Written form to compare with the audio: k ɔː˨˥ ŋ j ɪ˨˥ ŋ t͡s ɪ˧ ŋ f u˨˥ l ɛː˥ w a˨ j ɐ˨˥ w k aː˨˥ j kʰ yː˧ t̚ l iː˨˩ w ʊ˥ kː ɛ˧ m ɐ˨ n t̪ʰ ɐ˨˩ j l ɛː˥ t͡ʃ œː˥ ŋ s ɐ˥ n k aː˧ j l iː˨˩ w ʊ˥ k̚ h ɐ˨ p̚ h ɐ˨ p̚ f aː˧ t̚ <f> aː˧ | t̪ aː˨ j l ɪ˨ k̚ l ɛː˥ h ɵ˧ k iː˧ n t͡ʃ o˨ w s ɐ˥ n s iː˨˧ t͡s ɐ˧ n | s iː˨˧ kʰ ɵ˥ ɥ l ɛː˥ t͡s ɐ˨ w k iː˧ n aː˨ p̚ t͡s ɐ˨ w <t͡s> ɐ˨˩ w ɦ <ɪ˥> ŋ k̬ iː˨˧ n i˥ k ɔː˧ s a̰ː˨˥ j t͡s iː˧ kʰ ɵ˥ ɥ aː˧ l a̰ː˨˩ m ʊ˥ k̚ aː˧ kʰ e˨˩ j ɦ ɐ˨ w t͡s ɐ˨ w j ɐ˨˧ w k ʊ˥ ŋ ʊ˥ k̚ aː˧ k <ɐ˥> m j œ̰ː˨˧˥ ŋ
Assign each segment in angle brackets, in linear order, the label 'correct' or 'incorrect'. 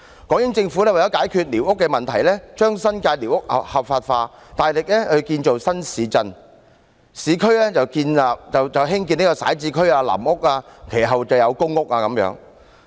correct, correct, correct, incorrect

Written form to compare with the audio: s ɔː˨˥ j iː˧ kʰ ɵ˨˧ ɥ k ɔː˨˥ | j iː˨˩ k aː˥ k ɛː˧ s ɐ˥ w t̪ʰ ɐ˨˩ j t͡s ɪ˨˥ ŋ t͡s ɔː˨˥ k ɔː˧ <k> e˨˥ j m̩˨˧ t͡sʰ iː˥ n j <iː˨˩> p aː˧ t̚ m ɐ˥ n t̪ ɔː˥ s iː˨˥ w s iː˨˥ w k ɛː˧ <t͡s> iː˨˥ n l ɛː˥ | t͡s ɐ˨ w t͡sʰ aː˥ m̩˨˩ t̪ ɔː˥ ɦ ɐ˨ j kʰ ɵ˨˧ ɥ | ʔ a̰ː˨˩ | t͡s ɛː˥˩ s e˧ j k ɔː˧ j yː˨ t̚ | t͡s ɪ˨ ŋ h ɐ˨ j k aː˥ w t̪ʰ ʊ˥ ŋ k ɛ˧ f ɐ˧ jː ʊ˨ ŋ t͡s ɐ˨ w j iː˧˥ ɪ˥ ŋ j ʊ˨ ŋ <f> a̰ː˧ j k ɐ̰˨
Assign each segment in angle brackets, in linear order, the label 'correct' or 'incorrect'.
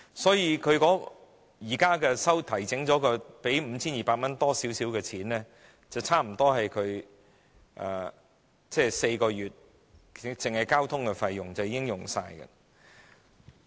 incorrect, correct, incorrect, incorrect

